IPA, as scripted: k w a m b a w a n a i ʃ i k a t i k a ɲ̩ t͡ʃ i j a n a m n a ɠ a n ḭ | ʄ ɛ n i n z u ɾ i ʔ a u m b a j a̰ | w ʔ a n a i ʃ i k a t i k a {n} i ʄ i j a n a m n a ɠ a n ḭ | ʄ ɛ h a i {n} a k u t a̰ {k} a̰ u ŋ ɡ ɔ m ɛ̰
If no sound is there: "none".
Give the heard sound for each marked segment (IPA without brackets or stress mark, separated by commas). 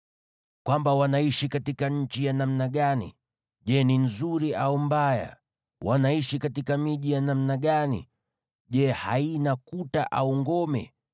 m, n, ʔ